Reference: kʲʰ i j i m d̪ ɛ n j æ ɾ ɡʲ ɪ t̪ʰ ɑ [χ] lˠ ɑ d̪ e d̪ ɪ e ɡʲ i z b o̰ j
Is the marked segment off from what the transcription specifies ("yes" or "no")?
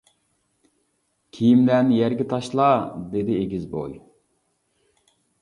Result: yes